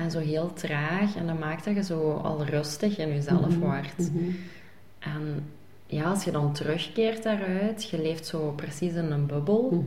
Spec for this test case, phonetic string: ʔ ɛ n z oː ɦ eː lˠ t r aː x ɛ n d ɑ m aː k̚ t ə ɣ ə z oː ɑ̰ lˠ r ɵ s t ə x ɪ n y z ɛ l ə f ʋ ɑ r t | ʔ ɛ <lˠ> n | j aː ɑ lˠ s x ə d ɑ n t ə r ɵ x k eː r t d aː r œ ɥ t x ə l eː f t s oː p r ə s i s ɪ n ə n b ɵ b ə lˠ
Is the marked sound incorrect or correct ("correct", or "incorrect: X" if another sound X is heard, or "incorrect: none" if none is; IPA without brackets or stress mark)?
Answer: incorrect: none